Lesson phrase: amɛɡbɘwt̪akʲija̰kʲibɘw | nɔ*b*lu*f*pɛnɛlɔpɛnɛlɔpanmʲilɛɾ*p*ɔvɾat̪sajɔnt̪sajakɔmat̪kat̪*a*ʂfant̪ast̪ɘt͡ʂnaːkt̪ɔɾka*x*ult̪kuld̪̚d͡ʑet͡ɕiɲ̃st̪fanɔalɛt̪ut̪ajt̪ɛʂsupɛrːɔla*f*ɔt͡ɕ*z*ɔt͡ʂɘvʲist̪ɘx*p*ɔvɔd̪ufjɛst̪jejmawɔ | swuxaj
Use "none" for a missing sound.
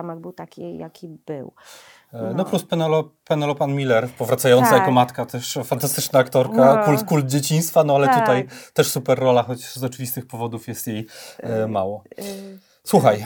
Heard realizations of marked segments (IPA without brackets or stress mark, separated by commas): p, s, p, ɛ, k, x, z, p